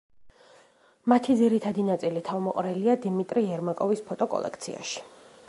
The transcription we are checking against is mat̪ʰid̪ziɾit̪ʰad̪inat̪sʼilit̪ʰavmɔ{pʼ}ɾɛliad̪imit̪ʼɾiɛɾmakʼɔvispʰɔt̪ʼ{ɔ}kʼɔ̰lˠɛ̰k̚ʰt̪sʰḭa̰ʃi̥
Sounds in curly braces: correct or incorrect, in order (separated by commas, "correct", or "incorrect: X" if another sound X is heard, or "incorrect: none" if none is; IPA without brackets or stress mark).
incorrect: qʼ, correct